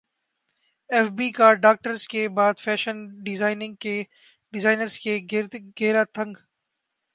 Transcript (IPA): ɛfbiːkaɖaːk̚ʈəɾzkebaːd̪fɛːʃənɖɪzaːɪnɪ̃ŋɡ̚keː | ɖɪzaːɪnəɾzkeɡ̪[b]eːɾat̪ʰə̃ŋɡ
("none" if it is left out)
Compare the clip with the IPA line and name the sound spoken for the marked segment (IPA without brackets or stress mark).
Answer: ɡ